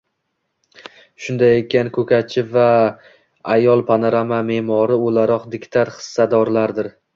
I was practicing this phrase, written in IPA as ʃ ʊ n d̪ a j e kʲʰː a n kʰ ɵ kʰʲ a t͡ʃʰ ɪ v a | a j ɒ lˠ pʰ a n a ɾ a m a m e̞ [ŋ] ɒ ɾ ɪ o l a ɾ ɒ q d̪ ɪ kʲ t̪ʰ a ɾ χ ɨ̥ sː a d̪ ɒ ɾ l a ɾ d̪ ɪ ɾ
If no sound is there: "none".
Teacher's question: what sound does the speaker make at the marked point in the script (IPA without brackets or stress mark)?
m